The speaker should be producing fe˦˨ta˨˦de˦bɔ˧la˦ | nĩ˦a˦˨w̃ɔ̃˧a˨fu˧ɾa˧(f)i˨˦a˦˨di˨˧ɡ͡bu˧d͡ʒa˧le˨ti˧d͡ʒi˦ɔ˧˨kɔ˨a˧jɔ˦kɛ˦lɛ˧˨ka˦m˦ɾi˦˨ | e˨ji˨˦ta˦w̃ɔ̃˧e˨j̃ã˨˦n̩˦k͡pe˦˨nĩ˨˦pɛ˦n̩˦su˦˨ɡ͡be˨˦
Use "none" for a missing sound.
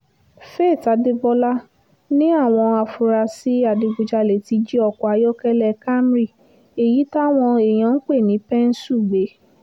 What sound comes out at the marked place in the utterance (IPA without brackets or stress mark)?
s